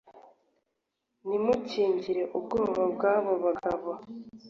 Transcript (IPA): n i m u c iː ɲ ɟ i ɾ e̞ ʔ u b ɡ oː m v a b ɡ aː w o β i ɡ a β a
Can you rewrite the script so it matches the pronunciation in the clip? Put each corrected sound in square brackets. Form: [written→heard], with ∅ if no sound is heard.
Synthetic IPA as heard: n i m u c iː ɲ ɟ i ɾ e̞ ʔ u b ɡ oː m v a b ɡ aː [w→β] o β [i→a] ɡ a β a